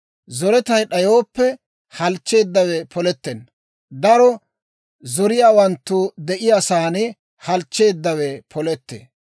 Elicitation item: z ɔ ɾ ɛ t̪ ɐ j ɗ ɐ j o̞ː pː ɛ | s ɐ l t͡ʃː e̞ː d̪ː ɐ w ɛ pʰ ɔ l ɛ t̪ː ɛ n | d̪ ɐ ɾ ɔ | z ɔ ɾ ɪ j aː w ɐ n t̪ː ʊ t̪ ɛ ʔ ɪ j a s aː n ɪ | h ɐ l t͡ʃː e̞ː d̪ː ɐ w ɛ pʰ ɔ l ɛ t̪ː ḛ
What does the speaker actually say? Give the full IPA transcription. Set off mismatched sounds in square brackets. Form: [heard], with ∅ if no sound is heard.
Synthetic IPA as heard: z ɔ ɾ ɛ t̪ ɐ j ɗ ɐ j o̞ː pː ɛ | [h] ɐ l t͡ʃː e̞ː d̪ː ɐ w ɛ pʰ ɔ l ɛ t̪ː ɛ n | d̪ ɐ ɾ ɔ | z ɔ ɾ ɪ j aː w ɐ n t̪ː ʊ [d̪] ɛ ʔ ɪ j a s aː n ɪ | h ɐ l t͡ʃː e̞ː d̪ː ɐ w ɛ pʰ ɔ l ɛ t̪ː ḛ